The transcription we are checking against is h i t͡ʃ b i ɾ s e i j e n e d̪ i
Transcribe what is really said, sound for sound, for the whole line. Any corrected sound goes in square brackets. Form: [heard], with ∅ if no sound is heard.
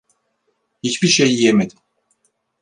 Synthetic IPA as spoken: h i t͡ʃ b i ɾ [ʃ] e [j] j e [m] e d̪ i